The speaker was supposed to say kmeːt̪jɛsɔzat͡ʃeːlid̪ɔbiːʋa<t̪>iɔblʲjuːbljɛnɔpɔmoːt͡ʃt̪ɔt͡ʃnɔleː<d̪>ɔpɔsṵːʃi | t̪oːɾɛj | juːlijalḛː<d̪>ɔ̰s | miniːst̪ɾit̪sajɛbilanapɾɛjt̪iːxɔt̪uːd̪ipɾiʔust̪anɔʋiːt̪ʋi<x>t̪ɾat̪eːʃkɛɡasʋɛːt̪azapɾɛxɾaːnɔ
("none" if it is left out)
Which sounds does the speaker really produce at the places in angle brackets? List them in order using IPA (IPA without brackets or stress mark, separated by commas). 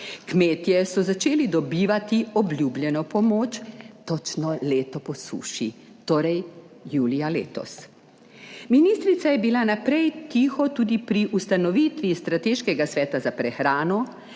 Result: t̪, t̪, t̪, s